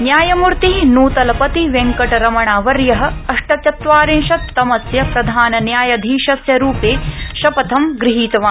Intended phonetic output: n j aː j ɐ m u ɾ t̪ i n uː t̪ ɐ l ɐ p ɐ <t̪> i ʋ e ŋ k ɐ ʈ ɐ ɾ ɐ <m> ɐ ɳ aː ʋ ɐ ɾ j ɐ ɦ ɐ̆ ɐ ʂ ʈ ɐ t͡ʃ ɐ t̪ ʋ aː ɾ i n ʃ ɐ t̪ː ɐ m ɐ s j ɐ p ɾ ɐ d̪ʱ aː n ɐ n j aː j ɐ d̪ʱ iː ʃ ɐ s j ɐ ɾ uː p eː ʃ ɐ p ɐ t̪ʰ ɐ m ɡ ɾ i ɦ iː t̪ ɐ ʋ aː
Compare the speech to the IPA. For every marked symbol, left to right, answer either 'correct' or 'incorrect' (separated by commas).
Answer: correct, correct